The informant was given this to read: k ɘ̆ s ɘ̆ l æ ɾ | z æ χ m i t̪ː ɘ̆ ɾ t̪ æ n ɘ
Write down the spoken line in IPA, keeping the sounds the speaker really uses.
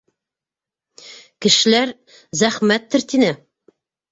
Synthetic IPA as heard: k ɘ̆ ʃ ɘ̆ l æ ɾ | z æ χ m æ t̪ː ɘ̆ ɾ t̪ i n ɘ